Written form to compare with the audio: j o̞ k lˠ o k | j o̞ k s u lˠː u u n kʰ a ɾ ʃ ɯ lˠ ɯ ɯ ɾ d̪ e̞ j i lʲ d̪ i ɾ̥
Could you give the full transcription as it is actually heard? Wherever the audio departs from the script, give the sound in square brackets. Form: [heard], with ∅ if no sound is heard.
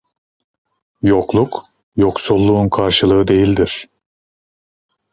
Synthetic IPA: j o̞ k lˠ [u] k | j o̞ k s u lˠː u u n kʰ a ɾ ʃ ɯ lˠ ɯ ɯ [∅] d̪ e̞ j i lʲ d̪ i ɾ̥